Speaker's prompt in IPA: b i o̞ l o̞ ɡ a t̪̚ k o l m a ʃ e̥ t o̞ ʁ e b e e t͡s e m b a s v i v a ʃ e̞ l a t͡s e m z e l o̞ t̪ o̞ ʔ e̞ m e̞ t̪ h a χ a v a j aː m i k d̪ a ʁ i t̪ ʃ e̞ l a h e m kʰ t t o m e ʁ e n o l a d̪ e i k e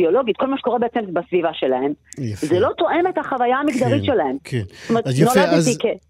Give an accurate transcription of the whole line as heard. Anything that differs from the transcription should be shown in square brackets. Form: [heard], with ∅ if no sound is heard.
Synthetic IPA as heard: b i o̞ l o̞ ɡ [i] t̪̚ k o l m a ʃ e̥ [k] o̞ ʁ e b e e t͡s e m b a s v i v a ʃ e̞ l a [∅] e m z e l o̞ t̪ o̞ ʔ e̞ m e̞ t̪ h a χ a v a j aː m i k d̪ a ʁ i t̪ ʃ e̞ l a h e m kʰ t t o m e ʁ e n o l a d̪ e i k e